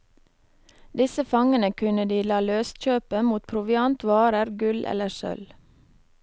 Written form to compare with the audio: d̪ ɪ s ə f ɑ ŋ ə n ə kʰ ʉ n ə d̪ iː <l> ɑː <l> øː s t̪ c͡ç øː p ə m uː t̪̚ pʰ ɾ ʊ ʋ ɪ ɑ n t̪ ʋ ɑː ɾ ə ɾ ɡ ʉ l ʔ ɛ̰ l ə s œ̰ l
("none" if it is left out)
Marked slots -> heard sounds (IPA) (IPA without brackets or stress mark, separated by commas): l, l